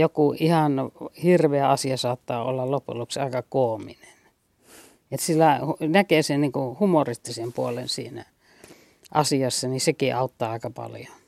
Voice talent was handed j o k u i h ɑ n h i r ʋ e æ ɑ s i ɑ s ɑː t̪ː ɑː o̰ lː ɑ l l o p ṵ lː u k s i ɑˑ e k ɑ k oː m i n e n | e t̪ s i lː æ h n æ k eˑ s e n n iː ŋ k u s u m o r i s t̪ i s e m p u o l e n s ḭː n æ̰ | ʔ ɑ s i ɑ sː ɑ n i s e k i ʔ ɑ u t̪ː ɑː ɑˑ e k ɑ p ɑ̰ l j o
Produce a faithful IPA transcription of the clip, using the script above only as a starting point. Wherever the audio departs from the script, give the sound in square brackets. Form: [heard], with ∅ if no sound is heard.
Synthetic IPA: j o k u i h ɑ n h i r ʋ e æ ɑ s i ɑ s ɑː t̪ː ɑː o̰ lː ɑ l l o p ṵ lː u k s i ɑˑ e k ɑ k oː m i n e n | e t̪ s i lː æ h n æ k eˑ s e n n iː ŋ k u [h] u m o r i s t̪ i s e m p u o l e n s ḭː n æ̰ | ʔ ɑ s i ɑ sː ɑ n i s e k i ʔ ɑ u t̪ː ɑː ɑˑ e k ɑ p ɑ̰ l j o